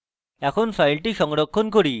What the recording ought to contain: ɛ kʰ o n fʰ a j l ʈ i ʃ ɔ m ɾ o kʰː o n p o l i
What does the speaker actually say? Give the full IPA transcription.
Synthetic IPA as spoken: ɛ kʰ o n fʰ a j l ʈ i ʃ ɔ ŋ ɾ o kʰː o n k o ɾ i